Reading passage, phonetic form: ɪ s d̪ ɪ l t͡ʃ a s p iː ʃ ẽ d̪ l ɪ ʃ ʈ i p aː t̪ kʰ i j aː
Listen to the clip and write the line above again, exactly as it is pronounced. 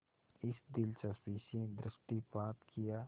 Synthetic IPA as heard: ɪ s d̪ ɪ l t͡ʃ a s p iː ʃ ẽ d̪ ɾ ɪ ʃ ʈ i p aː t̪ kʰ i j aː